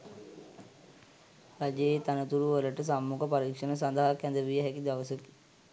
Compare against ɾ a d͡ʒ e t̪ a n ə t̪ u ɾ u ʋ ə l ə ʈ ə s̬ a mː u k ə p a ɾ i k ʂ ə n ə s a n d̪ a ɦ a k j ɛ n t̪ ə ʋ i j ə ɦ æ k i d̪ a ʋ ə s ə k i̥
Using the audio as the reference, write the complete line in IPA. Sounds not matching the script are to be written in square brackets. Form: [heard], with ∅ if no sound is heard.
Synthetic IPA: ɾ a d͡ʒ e t̪ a n ə t̪ u ɾ u ʋ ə l ə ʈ ə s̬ a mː u k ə p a ɾ i k ʂ ə n ə s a n d̪ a ɦ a k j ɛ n [d̪] ə ʋ i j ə ɦ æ k i d̪ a ʋ ə s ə k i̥